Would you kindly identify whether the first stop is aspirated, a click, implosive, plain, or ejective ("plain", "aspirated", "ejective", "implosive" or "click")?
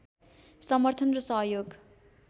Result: aspirated